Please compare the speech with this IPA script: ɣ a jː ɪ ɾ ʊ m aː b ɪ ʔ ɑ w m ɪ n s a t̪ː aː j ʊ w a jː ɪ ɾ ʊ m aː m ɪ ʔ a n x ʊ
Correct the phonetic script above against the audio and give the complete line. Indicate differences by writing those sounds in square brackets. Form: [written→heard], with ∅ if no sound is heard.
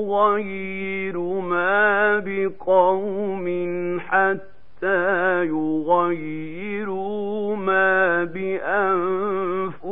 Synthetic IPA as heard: ɣ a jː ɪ ɾ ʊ m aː b ɪ [ʔ→q] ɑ w m ɪ n [s→ħ] a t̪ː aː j ʊ [w→ɣ] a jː ɪ ɾ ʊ m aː [m→b] ɪ ʔ a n [x→f] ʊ